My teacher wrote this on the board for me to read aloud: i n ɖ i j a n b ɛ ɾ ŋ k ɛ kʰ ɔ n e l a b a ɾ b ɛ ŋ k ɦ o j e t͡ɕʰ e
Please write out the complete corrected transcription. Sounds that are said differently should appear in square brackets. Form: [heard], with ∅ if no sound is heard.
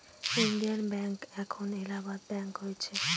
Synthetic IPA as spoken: i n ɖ i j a n b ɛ [∅] ŋ k ɛ kʰ [o] n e l a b a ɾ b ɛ ŋ k ɦ o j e t͡ɕʰ e